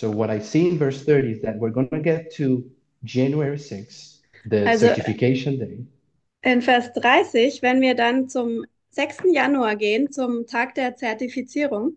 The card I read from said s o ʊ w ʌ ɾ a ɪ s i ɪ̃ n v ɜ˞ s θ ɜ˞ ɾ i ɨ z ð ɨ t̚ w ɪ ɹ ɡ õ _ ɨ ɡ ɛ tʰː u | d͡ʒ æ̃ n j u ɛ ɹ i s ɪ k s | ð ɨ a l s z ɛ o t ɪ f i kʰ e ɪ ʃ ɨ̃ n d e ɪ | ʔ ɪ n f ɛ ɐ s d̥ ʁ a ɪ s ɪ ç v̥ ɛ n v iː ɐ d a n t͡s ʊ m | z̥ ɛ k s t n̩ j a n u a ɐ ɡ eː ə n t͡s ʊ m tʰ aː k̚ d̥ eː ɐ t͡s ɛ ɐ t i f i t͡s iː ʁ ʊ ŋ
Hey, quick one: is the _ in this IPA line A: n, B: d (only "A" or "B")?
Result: A